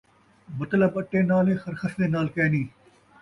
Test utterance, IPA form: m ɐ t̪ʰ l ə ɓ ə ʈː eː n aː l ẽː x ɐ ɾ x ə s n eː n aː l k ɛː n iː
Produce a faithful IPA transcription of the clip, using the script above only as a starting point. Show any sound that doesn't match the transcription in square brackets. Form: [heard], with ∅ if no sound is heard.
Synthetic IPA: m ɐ [t̪] l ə [b] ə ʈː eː n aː l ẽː x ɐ ɾ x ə s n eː n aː l k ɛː n iː